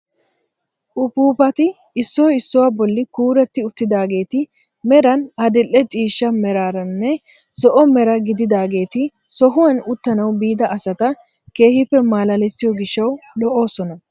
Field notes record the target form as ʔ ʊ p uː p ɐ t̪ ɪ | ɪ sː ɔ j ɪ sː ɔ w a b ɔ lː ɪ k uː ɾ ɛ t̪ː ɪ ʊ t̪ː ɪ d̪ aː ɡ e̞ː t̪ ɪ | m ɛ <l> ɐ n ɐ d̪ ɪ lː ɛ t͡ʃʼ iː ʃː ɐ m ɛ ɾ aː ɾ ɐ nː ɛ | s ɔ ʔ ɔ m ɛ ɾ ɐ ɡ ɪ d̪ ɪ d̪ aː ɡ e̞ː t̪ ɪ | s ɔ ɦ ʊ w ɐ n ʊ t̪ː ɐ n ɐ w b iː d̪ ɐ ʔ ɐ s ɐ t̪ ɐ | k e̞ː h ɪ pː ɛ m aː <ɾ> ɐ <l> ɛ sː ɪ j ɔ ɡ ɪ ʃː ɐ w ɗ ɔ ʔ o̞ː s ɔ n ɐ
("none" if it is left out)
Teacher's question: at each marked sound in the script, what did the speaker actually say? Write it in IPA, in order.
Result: ɾ, l, l

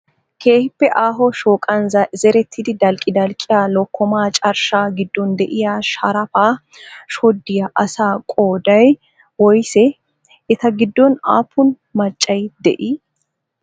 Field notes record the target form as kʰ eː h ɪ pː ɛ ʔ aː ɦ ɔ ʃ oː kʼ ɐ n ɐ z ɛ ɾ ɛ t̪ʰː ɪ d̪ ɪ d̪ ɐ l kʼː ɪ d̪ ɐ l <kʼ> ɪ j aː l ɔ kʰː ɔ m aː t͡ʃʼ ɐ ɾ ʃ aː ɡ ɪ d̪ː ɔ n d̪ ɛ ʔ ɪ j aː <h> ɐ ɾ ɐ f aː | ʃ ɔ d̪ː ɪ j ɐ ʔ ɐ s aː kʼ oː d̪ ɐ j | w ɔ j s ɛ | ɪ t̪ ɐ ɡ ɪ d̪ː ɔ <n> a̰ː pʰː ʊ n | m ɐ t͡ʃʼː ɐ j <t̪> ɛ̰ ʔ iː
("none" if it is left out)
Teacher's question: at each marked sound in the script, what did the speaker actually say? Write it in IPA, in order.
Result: kʼ, ʃ, n, d̪

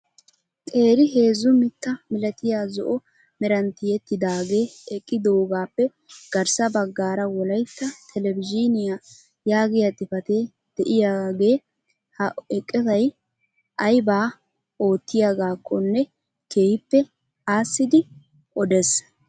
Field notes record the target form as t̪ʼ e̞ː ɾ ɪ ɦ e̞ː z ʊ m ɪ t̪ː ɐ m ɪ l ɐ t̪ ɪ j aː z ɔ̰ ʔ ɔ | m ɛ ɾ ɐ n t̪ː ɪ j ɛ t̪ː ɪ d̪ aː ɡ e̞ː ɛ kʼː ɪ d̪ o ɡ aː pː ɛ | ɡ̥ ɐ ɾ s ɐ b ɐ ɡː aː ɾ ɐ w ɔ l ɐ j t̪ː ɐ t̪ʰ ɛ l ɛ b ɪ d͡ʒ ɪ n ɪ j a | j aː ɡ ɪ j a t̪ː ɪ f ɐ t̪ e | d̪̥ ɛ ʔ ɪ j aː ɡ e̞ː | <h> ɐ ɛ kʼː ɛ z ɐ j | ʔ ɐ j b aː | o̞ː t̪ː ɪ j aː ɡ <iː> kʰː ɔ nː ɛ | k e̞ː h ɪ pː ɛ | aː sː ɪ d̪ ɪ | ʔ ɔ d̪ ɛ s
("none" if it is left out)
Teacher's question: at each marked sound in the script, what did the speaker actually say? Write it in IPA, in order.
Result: h, aː

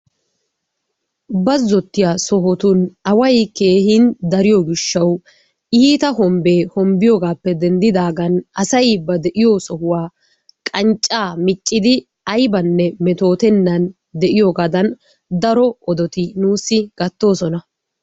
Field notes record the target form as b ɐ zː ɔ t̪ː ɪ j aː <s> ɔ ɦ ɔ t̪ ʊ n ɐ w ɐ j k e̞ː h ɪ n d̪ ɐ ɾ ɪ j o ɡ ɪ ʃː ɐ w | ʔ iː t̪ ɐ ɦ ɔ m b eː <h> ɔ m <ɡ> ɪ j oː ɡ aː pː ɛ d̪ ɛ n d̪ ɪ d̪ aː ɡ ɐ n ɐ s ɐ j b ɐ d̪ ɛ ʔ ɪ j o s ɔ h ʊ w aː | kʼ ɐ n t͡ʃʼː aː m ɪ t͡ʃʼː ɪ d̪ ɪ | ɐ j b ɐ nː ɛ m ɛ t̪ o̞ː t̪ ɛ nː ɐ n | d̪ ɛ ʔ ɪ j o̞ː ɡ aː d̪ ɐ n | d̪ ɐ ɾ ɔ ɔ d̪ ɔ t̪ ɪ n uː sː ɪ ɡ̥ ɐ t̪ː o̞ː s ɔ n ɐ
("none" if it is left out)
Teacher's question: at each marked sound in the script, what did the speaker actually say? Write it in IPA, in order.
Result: s, h, b

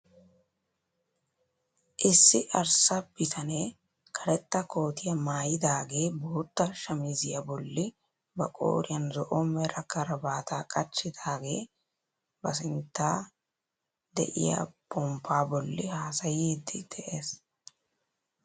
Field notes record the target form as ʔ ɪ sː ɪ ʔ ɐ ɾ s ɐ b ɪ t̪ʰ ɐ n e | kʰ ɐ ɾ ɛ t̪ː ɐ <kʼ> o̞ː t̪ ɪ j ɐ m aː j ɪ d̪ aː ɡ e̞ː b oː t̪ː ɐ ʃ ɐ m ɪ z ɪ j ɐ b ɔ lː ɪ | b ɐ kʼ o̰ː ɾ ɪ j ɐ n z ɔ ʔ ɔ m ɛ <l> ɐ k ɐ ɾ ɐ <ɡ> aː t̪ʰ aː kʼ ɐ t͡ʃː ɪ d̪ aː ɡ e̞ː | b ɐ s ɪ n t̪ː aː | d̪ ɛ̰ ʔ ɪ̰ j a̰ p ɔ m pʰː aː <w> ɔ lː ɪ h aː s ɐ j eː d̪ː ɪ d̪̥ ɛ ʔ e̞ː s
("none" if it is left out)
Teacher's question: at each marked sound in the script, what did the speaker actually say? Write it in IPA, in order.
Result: k, ɾ, b, b

